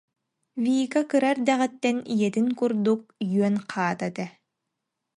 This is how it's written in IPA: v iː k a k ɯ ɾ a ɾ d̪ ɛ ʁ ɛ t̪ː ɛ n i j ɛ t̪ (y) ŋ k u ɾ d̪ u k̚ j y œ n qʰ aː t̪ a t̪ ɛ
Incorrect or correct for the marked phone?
incorrect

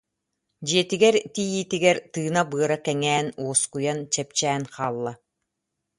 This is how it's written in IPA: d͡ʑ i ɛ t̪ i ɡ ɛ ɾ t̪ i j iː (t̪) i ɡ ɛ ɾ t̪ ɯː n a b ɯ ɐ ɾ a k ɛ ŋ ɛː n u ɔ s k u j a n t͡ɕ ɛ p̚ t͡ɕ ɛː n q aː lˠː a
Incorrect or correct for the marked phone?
correct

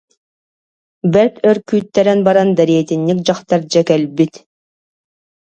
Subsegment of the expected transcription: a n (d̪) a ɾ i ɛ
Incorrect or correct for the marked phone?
correct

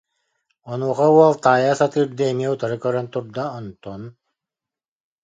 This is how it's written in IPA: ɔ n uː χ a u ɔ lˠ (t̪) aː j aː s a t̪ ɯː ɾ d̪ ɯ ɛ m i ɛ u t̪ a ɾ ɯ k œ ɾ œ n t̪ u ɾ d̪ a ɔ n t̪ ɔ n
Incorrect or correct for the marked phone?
correct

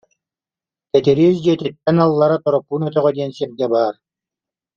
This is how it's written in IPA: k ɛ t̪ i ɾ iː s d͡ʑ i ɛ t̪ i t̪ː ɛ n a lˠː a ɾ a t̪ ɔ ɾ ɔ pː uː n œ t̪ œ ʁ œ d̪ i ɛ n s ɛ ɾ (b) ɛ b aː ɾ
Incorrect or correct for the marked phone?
incorrect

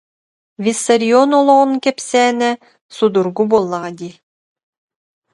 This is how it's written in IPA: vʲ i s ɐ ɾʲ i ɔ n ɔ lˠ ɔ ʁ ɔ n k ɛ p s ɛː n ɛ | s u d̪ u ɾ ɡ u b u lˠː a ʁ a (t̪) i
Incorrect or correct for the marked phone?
incorrect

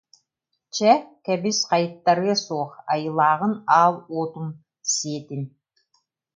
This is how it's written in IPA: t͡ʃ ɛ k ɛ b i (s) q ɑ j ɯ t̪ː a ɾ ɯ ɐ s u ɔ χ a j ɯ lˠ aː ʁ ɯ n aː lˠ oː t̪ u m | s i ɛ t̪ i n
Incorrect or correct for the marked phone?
correct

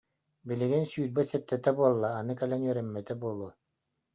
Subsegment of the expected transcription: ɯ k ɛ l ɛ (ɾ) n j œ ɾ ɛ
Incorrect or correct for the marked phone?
incorrect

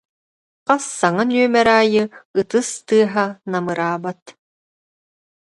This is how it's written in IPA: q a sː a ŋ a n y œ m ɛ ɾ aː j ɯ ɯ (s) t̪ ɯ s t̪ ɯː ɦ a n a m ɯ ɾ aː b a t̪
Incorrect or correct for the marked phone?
incorrect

